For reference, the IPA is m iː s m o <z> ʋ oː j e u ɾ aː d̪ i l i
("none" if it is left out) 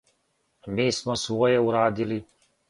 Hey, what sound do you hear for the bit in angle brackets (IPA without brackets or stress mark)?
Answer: s